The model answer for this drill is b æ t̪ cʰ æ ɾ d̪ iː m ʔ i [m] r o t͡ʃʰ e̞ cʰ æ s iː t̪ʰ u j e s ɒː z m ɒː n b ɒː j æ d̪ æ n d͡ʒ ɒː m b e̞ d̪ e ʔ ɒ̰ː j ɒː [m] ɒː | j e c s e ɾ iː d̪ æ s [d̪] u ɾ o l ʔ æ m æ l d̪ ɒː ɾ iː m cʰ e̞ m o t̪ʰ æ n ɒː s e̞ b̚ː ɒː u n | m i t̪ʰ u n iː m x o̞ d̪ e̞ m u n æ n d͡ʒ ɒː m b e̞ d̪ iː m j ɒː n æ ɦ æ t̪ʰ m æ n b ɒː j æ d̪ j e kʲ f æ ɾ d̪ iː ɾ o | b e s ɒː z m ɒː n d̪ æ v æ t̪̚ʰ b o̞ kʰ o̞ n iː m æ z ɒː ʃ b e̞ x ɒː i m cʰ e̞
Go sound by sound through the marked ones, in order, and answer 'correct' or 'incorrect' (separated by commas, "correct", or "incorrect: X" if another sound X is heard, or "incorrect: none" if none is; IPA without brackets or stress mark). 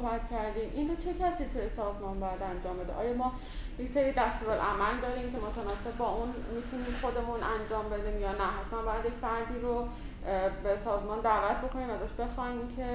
incorrect: n, correct, incorrect: t̪